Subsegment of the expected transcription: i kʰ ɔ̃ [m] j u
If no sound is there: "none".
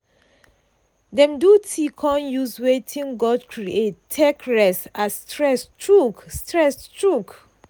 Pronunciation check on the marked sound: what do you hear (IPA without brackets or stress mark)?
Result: n